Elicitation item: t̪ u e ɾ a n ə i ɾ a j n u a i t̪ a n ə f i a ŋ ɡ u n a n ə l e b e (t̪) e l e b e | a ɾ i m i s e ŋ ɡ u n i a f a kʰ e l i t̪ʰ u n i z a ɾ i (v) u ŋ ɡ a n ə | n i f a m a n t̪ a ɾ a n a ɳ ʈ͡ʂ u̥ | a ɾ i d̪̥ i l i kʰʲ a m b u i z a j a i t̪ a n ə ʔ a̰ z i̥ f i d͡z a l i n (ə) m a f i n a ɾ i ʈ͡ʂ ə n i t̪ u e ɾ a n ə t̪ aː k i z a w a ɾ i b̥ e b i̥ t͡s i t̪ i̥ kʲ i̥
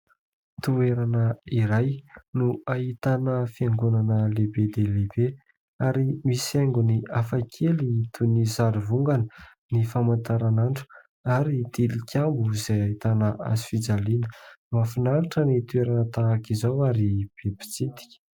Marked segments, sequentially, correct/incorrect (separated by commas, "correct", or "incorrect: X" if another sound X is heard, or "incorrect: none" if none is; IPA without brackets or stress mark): incorrect: d̪, correct, correct